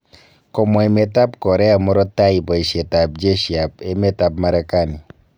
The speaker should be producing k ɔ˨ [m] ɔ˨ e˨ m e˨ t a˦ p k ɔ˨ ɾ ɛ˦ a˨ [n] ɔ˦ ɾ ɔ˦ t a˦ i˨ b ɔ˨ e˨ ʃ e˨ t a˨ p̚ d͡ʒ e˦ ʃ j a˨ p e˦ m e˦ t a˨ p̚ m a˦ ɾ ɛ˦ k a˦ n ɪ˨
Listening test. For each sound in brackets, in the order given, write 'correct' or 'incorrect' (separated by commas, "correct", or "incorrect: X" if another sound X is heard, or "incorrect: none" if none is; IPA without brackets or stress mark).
correct, incorrect: m